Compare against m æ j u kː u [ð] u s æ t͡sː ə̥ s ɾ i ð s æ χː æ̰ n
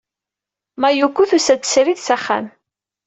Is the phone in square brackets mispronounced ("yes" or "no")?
yes